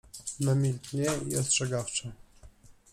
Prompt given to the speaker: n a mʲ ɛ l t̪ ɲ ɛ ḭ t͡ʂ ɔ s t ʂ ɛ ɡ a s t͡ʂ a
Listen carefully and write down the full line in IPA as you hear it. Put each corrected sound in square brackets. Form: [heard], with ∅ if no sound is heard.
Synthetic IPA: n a mʲ [i] l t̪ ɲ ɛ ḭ [∅] ɔ s t ʂ ɛ ɡ a [f] t͡ʂ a

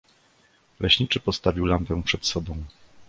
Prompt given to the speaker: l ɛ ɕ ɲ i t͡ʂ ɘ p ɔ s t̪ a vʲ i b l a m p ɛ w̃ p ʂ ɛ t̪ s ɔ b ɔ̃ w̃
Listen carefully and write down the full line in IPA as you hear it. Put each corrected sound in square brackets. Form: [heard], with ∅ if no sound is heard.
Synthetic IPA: l ɛ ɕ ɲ i t͡ʂ ɘ p ɔ s t̪ a vʲ i [w] l a m p ɛ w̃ p ʂ ɛ t̪ s ɔ b ɔ̃ w̃

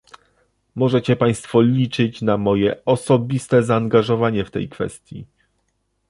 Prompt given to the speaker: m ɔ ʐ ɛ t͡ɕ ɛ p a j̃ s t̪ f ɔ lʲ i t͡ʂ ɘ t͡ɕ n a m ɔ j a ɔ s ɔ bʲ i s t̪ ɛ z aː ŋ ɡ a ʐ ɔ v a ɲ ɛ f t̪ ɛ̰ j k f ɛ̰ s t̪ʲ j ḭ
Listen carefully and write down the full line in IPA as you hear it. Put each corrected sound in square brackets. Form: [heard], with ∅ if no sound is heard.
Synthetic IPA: m ɔ ʐ ɛ t͡ɕ ɛ p a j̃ s t̪ f ɔ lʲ i t͡ʂ ɘ t͡ɕ n a m ɔ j [ɛ] ɔ s ɔ bʲ i s t̪ ɛ z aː ŋ ɡ a ʐ ɔ v a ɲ ɛ f t̪ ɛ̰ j k f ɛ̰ s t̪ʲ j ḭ

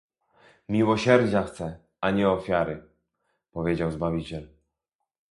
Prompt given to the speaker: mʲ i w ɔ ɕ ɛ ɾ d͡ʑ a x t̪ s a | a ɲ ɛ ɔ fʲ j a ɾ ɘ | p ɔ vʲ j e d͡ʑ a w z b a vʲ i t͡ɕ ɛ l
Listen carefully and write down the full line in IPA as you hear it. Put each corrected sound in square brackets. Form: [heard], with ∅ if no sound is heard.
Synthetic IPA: mʲ i w ɔ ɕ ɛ ɾ d͡ʑ a x t̪ s [ɛ] | a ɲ ɛ ɔ fʲ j a ɾ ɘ | p ɔ vʲ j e d͡ʑ a w z b a vʲ i t͡ɕ ɛ l

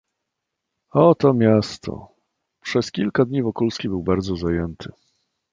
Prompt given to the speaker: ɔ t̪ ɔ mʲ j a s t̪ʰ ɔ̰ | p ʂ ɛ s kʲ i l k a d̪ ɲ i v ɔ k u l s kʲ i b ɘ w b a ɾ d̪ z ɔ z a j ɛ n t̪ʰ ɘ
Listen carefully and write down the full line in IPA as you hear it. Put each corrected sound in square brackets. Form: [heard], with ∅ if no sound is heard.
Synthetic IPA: ɔ t̪ ɔ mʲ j a s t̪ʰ ɔ̰ | p ʂ ɛ s kʲ i l k a d̪ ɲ i v ɔ k u l s kʲ i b ɘ w b a ɾ d̪ z ɔ z a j ɛ n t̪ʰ ɘ

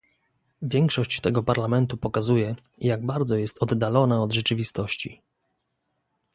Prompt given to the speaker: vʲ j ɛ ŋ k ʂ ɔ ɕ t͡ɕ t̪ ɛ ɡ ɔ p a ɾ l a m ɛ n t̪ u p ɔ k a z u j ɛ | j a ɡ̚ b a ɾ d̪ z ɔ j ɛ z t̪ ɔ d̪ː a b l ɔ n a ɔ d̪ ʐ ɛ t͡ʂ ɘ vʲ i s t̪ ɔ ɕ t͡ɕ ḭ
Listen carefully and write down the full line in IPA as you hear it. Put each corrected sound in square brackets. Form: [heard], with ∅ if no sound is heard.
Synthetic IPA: vʲ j ɛ ŋ k ʂ ɔ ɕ t͡ɕ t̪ ɛ ɡ ɔ p a ɾ l a m ɛ n t̪ u p ɔ k a z u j ɛ | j a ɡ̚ b a ɾ d̪ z ɔ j ɛ [s] t̪ ɔ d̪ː a [∅] l ɔ n a ɔ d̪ ʐ ɛ t͡ʂ ɘ vʲ i s t̪ ɔ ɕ t͡ɕ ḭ

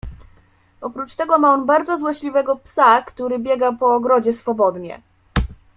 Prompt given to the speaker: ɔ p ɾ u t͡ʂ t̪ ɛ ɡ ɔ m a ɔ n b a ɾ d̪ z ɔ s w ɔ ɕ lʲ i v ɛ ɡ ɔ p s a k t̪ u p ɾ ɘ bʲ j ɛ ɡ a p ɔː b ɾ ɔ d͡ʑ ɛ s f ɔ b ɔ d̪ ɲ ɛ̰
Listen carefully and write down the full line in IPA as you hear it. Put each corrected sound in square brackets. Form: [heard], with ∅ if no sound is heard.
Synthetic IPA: ɔ p ɾ u t͡ʂ t̪ ɛ ɡ ɔ m a ɔ n b a ɾ d̪ z ɔ [z] w ɔ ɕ lʲ i v ɛ ɡ ɔ p s a k t̪ u [∅] ɾ ɘ bʲ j ɛ ɡ a p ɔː [ɡ] ɾ ɔ d͡ʑ ɛ s f ɔ b ɔ d̪ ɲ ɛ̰

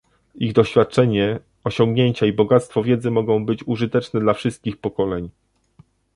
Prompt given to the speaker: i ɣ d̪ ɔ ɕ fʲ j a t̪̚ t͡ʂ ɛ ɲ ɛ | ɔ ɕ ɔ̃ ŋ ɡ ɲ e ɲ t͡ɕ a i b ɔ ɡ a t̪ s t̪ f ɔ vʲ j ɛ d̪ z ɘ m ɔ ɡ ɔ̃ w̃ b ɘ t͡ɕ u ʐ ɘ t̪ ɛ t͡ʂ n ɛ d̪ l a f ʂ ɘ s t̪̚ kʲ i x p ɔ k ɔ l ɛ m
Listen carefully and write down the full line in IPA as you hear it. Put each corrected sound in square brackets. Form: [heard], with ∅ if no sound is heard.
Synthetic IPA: i ɣ d̪ ɔ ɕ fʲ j a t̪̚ t͡ʂ ɛ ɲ ɛ | ɔ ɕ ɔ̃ ŋ ɡ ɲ e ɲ t͡ɕ a i b ɔ ɡ a t̪ s t̪ f ɔ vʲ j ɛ d̪ z ɘ m ɔ ɡ ɔ̃ w̃ b ɘ t͡ɕ u ʐ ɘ t̪ ɛ t͡ʂ n ɛ d̪ l a f ʂ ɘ s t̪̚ kʲ i x p ɔ k ɔ l ɛ [ɲ]

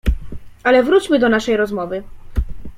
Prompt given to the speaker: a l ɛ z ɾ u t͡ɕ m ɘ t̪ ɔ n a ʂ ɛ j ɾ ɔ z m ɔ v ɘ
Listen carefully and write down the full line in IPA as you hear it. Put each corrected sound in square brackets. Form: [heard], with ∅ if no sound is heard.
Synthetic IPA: a l ɛ [v] ɾ u t͡ɕ m ɘ [d̪] ɔ n a ʂ ɛ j ɾ ɔ z m ɔ v ɘ

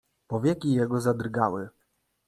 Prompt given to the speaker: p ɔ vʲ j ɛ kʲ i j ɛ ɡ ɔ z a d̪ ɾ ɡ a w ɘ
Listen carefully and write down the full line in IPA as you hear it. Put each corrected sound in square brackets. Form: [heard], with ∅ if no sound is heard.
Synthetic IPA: p ɔ vʲ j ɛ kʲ i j ɛ ɡ ɔ z a d̪ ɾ ɡ a w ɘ

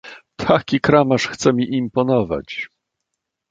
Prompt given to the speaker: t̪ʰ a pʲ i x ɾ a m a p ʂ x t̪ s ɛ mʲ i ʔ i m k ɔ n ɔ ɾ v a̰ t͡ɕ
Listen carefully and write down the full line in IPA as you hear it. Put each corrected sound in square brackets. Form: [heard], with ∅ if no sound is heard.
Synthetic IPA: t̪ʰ a [kʲ] i [k] ɾ a m a [∅] ʂ x t̪ s ɛ mʲ i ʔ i m [p] ɔ n ɔ [∅] v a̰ t͡ɕ

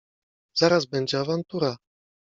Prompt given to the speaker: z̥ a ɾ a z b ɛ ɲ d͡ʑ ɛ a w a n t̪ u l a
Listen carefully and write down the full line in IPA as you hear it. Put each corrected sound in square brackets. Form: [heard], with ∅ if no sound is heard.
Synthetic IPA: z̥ a ɾ a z b ɛ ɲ d͡ʑ ɛ a [v] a n t̪ u [ɾ] a

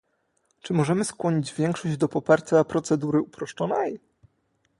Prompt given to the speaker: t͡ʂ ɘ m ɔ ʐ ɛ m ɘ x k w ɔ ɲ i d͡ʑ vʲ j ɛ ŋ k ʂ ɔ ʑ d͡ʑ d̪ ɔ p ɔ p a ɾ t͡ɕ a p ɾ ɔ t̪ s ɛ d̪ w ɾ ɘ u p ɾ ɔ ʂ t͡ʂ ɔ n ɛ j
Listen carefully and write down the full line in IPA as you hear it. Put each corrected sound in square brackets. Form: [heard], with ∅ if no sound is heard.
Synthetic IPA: t͡ʂ ɘ m ɔ ʐ ɛ m ɘ [s] k w ɔ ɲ i d͡ʑ vʲ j ɛ ŋ k ʂ ɔ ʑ d͡ʑ d̪ ɔ p ɔ p a ɾ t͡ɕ a p ɾ ɔ t̪ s ɛ d̪ [u] ɾ ɘ u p ɾ ɔ ʂ t͡ʂ ɔ n ɛ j

